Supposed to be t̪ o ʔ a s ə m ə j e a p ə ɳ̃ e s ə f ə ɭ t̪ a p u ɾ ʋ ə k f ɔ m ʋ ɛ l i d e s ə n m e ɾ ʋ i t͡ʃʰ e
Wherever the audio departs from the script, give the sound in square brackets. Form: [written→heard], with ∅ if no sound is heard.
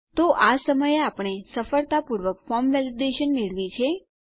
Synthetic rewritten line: t̪ o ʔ a s ə m ə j e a p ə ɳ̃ e s ə f ə ɭ t̪ a p u ɾ ʋ ə k f ɔ m ʋ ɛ l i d e [s→ʃ] ə n m e [ɾ→ɭ] ʋ i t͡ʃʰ e